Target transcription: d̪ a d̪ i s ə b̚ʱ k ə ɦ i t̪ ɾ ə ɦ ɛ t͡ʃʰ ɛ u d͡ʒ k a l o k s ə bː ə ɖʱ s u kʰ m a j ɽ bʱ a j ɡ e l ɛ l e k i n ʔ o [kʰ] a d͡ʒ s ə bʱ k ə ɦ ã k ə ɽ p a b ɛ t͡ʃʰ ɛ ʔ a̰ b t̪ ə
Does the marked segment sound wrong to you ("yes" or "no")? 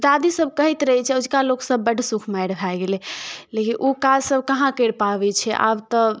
yes